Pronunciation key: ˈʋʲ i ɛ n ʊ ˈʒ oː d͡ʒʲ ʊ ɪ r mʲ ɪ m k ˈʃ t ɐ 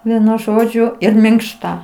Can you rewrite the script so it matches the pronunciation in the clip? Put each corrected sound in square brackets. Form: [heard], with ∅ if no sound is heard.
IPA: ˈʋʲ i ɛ n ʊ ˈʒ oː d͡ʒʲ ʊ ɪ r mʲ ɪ [ŋ] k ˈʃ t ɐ